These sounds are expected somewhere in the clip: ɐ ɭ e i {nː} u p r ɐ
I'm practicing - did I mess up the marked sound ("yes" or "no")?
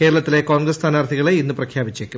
no